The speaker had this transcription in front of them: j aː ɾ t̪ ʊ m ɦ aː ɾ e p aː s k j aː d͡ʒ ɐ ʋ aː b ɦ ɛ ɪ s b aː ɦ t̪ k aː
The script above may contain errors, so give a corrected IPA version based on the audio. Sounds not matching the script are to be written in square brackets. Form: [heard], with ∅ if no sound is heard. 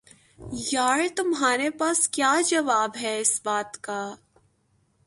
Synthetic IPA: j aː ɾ t̪ ʊ m ɦ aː ɾ e p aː s k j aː d͡ʒ ɐ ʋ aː b ɦ ɛ ɪ s b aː [∅] t̪ k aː